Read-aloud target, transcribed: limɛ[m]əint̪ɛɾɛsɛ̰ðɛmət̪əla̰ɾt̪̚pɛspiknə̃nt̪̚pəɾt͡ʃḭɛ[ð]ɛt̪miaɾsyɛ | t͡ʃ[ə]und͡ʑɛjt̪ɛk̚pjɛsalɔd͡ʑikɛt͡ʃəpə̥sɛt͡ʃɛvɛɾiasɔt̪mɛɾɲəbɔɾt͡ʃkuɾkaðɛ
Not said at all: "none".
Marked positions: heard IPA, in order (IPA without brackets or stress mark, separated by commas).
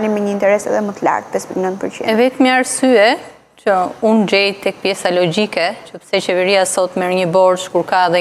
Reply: ɲ, v, ə